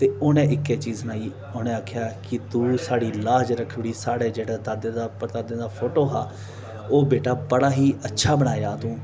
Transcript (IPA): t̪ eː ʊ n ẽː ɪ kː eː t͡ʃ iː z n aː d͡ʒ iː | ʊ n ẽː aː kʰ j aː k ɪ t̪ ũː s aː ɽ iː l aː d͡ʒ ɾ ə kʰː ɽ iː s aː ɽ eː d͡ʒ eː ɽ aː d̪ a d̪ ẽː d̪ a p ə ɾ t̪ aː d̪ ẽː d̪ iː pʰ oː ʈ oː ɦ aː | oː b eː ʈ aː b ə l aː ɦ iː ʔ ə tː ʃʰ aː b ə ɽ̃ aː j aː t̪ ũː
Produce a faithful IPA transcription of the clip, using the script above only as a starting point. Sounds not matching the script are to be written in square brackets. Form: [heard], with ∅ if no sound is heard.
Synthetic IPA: t̪ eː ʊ n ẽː ɪ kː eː t͡ʃ iː z n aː [∅] iː | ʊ n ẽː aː kʰ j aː k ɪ t̪ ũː s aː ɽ iː l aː d͡ʒ ɾ ə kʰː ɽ iː s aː ɽ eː d͡ʒ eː ɽ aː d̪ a d̪ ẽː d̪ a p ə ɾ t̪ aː d̪ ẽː d̪ [aː] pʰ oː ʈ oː ɦ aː | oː b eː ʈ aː b ə [ɽ] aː ɦ iː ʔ ə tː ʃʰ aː b ə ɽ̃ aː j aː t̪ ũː